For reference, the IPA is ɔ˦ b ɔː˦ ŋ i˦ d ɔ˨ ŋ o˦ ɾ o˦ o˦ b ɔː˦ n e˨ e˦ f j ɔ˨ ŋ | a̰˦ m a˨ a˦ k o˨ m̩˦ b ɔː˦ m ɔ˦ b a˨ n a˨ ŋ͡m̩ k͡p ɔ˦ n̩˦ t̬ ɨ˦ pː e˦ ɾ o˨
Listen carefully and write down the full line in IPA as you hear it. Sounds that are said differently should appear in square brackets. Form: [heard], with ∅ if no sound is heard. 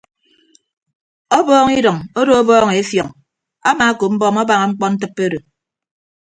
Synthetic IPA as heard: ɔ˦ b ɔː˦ ŋ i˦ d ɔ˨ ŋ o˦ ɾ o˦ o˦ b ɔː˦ [ŋ] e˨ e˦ f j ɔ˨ ŋ | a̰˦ m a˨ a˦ k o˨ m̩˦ b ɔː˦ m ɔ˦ b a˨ [ŋ] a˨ ŋ͡m̩ k͡p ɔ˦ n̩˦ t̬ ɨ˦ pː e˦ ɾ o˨